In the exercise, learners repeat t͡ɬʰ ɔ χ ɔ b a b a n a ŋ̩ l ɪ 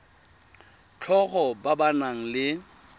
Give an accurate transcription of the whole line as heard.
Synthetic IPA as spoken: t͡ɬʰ ɔ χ ɔ b a b a n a ŋ̩ l ɪ